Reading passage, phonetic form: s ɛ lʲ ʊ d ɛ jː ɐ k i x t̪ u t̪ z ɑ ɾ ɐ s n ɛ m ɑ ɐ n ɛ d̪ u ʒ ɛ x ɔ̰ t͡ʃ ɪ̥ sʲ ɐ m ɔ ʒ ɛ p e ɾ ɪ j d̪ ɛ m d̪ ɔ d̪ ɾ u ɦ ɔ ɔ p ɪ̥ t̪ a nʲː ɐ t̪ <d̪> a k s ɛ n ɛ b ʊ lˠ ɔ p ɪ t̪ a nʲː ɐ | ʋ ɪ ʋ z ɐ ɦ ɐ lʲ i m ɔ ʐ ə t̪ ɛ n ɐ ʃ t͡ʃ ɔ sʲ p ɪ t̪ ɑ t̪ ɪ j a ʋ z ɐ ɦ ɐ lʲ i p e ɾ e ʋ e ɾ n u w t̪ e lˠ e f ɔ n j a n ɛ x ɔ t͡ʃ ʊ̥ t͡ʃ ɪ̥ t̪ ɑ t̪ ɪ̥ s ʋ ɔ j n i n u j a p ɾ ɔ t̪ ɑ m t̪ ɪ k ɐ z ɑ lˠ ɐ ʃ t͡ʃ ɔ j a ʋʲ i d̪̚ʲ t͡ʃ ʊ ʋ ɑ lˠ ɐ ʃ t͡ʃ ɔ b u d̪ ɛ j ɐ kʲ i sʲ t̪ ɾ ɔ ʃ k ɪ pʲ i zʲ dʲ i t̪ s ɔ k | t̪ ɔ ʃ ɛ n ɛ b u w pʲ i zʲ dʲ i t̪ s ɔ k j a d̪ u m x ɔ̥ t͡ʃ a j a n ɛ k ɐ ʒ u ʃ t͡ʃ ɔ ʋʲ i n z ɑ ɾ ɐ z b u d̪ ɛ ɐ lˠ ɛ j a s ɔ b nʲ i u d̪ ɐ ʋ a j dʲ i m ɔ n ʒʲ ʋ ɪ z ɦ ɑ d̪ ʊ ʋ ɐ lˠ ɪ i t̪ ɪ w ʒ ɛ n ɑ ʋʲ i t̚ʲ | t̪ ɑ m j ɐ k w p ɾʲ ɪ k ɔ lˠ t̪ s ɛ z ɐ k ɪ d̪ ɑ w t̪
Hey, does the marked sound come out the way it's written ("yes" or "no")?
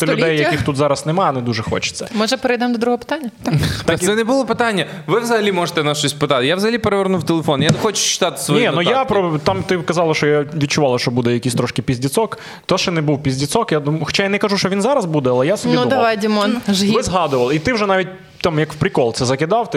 no